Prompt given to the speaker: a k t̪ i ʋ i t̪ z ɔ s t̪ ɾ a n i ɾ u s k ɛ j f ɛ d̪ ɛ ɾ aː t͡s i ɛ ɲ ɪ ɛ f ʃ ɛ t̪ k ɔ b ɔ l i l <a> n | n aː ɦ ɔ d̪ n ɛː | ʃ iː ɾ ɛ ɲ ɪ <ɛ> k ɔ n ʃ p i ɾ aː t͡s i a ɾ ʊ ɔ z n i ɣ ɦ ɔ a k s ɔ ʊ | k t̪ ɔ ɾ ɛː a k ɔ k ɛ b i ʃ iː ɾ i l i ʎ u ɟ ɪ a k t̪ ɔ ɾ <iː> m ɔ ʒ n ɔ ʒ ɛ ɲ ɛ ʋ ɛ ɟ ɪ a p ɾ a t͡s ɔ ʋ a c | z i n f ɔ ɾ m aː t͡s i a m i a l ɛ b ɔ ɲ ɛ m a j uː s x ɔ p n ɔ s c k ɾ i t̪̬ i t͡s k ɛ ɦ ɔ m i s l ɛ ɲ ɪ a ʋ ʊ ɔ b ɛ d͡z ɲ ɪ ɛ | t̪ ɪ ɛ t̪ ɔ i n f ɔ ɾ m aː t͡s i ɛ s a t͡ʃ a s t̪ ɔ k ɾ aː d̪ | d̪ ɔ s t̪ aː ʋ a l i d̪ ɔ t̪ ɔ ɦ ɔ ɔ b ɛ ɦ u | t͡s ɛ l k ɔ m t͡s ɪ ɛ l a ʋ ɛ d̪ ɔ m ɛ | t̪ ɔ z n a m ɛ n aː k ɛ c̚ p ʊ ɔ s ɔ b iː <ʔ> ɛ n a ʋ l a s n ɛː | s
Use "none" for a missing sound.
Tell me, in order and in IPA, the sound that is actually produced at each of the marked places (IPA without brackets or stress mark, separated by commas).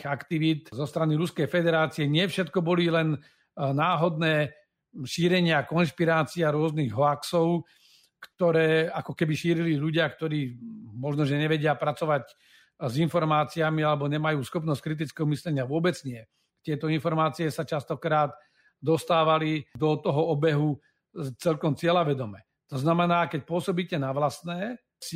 ɛ, a, iː, c